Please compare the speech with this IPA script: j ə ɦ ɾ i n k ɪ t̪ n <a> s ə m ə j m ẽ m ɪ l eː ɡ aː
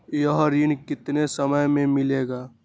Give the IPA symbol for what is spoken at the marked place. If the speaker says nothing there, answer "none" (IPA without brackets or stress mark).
e